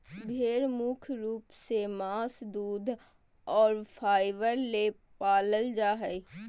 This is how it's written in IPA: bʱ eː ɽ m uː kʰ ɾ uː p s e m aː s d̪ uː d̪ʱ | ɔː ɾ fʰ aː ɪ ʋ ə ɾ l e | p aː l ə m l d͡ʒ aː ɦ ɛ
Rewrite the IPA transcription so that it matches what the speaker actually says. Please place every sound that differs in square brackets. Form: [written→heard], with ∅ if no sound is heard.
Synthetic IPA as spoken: bʱ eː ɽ m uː kʰ ɾ uː p s e m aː s d̪ uː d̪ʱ | ɔː ɾ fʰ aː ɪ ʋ ə ɾ l e | p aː l ə [m→∅] l d͡ʒ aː ɦ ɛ